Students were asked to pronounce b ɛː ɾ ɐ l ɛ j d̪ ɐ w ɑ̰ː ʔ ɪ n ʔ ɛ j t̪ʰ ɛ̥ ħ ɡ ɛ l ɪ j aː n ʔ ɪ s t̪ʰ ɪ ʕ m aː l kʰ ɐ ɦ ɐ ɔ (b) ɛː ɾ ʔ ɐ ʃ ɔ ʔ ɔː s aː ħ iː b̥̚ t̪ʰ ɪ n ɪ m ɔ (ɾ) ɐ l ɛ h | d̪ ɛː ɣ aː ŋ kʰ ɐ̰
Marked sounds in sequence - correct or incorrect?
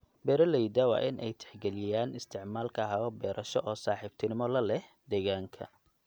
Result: correct, incorrect: l

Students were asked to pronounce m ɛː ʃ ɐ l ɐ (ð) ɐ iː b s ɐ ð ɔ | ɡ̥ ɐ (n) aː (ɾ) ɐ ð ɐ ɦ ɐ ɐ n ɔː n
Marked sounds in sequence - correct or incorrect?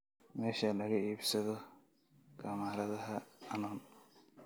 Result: incorrect: ɣ, incorrect: m, correct

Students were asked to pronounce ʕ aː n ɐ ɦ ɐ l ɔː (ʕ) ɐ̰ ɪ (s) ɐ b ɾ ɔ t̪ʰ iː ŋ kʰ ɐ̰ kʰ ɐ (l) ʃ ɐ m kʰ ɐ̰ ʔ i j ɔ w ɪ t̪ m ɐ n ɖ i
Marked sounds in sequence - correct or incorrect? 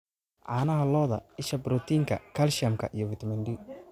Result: incorrect: ð, incorrect: ʃ, correct

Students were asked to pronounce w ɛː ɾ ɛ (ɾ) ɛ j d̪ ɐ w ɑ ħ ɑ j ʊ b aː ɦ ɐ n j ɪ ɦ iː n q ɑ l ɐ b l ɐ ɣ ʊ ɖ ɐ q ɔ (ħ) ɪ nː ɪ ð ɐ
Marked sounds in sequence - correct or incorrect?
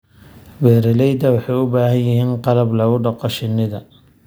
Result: incorrect: l, incorrect: ʃ

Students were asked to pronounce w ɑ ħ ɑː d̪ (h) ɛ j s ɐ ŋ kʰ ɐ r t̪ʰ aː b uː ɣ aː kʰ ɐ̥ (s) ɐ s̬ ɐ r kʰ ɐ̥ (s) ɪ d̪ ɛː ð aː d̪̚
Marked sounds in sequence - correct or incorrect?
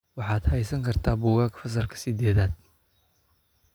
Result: correct, incorrect: f, correct

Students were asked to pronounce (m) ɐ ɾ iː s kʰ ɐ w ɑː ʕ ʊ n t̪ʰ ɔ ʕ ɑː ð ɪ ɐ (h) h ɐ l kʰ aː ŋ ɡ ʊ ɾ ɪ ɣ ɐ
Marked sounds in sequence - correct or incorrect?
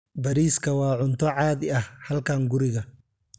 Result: incorrect: b, correct

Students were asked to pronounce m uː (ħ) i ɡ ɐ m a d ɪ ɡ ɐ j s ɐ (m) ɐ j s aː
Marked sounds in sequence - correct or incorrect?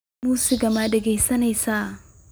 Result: incorrect: s, incorrect: n

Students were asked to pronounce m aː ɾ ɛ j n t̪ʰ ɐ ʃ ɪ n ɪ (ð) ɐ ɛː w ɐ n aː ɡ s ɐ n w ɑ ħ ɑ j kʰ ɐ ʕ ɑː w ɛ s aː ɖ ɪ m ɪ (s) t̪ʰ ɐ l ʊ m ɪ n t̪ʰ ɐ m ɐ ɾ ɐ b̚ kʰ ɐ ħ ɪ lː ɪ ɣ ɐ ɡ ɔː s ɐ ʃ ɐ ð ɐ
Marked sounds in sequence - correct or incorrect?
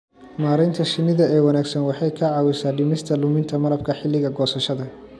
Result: correct, correct

